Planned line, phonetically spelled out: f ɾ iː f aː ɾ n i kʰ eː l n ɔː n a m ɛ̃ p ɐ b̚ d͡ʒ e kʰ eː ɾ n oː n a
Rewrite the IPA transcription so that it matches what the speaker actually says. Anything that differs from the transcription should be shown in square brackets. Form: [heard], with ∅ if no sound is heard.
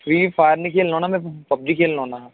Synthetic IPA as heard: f ɾ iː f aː ɾ n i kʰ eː l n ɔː n a m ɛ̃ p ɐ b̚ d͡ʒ [i] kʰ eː [l] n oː n a